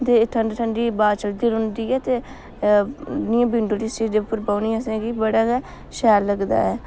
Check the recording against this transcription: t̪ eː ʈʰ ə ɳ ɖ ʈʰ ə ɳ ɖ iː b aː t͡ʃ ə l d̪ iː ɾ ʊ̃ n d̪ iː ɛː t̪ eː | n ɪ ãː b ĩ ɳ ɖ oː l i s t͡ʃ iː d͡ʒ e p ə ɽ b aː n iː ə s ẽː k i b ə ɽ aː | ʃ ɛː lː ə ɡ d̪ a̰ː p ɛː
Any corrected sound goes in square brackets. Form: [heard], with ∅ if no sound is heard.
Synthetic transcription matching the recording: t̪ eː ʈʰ ə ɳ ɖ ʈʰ ə ɳ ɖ iː b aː t͡ʃ ə l d̪ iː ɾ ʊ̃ n d̪ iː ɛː t̪ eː | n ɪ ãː b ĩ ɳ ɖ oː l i s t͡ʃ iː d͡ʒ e p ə [ɾ] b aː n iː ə s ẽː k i b ə ɽ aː | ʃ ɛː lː ə ɡ d̪ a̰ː [∅] ɛː

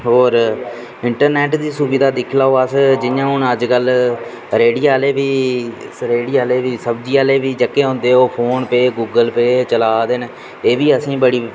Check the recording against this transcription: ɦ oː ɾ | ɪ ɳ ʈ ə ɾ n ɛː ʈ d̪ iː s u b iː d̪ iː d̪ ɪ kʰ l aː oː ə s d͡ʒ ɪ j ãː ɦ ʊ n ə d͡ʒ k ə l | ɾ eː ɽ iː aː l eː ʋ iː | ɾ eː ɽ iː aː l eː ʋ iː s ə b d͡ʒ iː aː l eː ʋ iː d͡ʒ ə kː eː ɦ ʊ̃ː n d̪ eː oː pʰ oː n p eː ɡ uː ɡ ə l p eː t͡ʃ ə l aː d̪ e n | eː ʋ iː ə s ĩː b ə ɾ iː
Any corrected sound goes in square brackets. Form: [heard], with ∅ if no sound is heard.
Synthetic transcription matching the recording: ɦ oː ɾ | ɪ ɳ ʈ ə ɾ n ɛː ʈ d̪ iː s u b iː d̪ [aː] d̪ ɪ kʰ l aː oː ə s d͡ʒ ɪ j ãː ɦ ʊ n ə d͡ʒ k ə l | ɾ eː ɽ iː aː l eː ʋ iː | ɾ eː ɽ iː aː l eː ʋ iː s ə b d͡ʒ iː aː l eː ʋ iː d͡ʒ ə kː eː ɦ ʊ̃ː n d̪ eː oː pʰ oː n p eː ɡ uː ɡ ə l p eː t͡ʃ ə l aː d̪ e n | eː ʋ iː ə s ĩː b ə [ɽ] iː

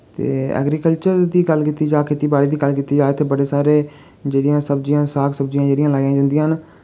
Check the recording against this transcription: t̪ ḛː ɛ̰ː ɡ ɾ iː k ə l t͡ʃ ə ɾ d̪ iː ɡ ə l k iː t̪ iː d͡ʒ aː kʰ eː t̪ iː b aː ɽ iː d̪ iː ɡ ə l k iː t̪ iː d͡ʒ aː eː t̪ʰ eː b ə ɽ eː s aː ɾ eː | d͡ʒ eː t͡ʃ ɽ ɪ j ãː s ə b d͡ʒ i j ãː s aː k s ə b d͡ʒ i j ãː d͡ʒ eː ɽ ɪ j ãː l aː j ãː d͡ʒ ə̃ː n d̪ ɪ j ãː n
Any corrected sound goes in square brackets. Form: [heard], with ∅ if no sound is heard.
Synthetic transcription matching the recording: t̪ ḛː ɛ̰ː ɡ ɾ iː k ə l t͡ʃ ə ɾ d̪ iː ɡ ə l k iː t̪ iː d͡ʒ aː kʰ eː t̪ iː b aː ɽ iː d̪ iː ɡ ə l k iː t̪ iː d͡ʒ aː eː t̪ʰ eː b ə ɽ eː s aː ɾ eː | d͡ʒ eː [∅] ɽ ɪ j ãː s ə b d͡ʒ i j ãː s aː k s ə b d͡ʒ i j ãː d͡ʒ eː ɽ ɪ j ãː l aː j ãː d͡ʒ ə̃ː n d̪ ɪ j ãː n

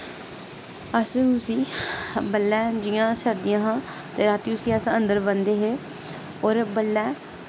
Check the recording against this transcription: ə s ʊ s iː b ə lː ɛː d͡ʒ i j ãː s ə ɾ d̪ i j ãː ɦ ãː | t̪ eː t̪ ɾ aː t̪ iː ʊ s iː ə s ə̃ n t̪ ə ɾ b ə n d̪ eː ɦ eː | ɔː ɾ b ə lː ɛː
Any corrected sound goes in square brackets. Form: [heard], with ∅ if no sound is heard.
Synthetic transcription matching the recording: ə s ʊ s iː b ə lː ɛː d͡ʒ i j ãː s ə ɾ d̪ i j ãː ɦ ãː | t̪ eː [∅] ɾ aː t̪ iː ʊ s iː ə s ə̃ n [d̪] ə ɾ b ə n d̪ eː ɦ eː | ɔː ɾ b ə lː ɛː

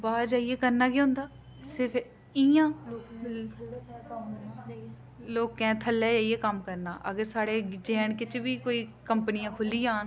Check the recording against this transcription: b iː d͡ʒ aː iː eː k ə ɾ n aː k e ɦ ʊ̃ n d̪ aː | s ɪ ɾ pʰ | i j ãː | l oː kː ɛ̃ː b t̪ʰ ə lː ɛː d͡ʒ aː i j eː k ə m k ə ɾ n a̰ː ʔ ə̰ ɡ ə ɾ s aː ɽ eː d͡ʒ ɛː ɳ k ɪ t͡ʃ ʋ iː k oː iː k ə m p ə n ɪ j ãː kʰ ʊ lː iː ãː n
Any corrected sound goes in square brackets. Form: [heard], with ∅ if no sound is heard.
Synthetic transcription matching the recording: b [aː] d͡ʒ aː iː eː k ə ɾ n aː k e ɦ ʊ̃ n d̪ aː | s ɪ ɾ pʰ | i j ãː | l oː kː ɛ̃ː [∅] t̪ʰ ə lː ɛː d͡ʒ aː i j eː k ə m k ə ɾ n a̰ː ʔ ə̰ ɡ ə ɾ s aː ɽ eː d͡ʒ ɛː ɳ k ɪ t͡ʃ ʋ iː k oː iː k ə m p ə n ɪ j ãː kʰ ʊ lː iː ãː n

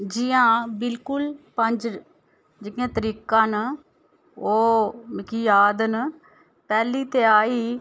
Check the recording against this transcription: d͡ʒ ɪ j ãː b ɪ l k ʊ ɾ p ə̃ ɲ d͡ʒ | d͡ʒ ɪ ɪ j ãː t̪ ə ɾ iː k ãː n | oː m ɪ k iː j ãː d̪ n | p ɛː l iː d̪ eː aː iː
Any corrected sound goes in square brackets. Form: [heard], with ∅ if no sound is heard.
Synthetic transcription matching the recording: d͡ʒ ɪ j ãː b ɪ l k ʊ [l] p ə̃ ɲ d͡ʒ | d͡ʒ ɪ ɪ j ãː t̪ ə ɾ iː k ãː n | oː m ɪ k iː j [aː] d̪ n | p ɛː l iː [t̪] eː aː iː

